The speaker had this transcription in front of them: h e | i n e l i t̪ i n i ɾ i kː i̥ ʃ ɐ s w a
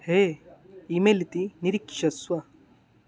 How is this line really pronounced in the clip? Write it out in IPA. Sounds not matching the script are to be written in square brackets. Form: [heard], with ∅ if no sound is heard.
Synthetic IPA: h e | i [m] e l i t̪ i n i ɾ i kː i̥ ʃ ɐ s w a